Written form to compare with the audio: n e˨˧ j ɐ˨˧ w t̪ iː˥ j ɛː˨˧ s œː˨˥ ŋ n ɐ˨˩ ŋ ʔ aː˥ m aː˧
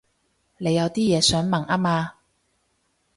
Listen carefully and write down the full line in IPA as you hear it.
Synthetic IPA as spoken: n e˨˧ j ɐ˨˧ w t̪ iː˥ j ɛː˨˧ s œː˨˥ ŋ m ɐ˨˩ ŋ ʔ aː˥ m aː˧

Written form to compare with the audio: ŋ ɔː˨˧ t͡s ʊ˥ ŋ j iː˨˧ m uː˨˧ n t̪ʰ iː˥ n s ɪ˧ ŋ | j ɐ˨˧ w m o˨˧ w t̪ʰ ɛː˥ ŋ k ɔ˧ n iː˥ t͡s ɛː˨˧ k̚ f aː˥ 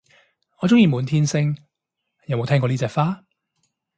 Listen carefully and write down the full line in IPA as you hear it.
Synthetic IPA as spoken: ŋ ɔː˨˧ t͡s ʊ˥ ŋ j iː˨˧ m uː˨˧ n t̪ʰ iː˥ n s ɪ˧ ŋ | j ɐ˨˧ w m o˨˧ w t̪ʰ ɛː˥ ŋ k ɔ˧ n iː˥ t͡s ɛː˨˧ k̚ f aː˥

